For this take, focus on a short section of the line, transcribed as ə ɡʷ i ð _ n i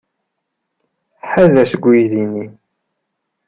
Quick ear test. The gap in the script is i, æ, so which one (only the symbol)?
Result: i